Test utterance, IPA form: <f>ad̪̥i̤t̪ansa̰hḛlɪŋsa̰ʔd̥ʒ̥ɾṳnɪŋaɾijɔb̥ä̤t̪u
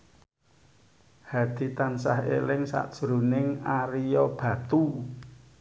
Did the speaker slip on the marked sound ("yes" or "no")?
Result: yes